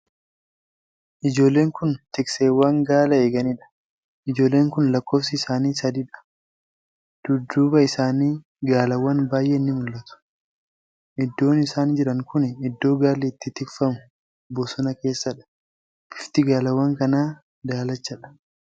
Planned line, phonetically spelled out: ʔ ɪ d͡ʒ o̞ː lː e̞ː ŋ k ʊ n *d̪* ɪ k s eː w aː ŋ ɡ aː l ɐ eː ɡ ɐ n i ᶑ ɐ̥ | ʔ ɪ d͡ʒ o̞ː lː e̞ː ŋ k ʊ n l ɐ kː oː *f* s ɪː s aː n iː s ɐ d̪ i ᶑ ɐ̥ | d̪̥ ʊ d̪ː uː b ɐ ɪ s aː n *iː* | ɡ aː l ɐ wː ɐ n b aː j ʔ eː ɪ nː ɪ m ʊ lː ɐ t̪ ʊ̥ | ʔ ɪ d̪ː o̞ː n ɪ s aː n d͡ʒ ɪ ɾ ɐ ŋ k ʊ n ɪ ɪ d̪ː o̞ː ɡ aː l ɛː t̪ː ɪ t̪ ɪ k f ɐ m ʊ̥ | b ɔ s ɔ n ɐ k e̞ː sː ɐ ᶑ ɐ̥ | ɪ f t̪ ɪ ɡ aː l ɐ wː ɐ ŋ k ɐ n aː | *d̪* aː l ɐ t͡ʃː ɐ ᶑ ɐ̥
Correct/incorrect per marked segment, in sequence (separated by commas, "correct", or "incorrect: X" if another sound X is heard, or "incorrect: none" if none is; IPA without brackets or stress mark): incorrect: t̪, correct, correct, correct